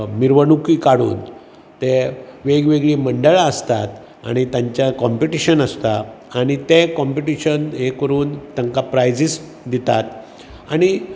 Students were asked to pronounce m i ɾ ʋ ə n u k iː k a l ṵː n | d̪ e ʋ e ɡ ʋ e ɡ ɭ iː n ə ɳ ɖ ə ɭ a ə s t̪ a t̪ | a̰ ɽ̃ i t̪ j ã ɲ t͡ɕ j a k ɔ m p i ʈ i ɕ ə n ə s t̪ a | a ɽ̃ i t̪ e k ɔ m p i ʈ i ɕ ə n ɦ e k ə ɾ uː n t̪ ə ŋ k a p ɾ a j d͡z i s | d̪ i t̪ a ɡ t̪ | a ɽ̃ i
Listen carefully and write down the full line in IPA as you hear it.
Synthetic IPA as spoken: m i ɾ ʋ ə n u k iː k a ɽ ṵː n | t̪ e ʋ e ɡ ʋ e ɡ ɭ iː m ə ɳ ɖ ə ɭ a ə s t̪ a t̪ | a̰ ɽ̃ i t̪ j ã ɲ t͡ɕ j a k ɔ m p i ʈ i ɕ ə n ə s t̪ a | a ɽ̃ i t̪ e k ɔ m p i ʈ i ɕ ə n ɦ e k ə ɾ uː n t̪ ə ŋ k a p ɾ a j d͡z i s | d̪ i t̪ a t̪ | a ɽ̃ i